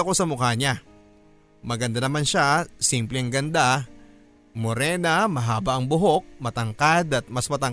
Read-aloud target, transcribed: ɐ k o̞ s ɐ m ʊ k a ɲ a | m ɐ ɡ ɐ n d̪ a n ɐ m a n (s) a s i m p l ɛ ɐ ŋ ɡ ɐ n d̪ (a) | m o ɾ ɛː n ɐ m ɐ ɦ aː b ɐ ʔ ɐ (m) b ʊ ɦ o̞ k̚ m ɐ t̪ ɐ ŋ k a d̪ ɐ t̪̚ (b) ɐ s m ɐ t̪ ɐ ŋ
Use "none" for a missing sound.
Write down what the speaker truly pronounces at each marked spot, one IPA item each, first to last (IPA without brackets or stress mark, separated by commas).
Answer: ʃ, a, ŋ, m